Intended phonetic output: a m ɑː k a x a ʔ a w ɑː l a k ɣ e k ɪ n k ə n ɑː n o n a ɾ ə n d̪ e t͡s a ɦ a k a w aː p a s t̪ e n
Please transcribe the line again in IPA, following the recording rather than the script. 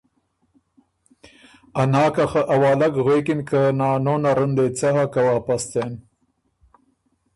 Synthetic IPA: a n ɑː k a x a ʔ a w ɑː l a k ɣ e k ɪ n k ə n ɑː n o n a ɾ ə n d̪ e t͡s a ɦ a k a w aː p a s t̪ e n